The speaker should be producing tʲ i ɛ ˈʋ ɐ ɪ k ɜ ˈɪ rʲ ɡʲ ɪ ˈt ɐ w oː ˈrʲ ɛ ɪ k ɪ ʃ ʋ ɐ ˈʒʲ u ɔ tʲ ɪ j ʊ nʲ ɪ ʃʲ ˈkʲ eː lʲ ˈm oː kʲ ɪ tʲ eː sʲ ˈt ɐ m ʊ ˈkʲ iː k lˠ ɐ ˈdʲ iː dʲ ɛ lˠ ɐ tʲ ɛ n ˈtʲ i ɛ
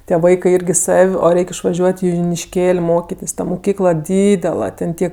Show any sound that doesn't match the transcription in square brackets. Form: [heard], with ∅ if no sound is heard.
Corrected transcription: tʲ i ɛ ˈʋ ɐ ɪ k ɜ ˈɪ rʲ ɡʲ ɪ [ˈs] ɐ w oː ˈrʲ ɛ ɪ k ɪ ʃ ʋ ɐ ˈʒʲ u ɔ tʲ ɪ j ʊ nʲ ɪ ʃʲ ˈkʲ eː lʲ ˈm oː kʲ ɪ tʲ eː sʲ ˈt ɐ m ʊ ˈkʲ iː k lˠ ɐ ˈdʲ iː dʲ ɛ lˠ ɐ tʲ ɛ n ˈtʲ i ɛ